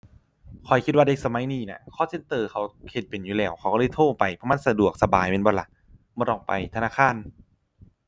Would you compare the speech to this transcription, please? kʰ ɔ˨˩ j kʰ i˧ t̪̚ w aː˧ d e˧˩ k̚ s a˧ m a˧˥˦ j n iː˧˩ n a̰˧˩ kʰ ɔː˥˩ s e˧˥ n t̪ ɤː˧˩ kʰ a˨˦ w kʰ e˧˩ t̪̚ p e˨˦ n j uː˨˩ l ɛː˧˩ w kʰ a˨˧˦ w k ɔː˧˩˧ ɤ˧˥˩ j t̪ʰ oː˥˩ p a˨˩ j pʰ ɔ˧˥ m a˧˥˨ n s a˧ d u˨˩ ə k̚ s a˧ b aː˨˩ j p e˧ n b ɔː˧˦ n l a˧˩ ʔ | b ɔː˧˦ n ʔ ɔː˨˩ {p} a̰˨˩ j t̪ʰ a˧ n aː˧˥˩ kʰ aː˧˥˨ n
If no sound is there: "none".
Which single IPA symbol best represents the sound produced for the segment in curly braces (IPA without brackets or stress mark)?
p